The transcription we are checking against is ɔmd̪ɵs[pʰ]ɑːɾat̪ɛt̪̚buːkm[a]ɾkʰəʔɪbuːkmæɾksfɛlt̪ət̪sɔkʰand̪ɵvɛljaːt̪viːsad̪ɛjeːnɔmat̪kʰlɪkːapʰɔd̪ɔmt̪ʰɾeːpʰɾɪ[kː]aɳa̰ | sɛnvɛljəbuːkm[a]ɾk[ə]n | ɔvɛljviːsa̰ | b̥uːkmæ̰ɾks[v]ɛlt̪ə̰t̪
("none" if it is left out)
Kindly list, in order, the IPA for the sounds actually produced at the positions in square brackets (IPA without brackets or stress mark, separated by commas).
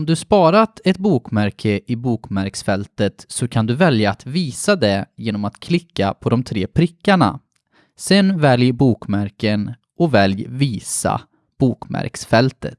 p, æ, kː, æ, ə, f